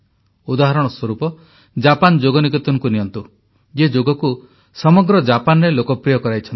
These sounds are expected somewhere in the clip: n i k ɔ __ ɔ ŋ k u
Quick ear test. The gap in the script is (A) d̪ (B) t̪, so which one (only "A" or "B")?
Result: B